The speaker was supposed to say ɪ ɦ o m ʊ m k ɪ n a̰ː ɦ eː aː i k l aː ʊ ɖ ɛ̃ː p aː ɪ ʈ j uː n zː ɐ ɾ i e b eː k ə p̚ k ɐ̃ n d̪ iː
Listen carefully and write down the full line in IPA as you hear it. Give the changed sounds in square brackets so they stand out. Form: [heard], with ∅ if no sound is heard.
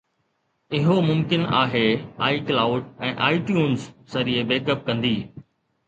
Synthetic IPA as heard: ɪ ɦ o m ʊ m k ɪ n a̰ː ɦ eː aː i k l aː ʊ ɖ ɛ̃ː [ʔ] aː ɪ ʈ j uː n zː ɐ ɾ i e b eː k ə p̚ k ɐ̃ n d̪ iː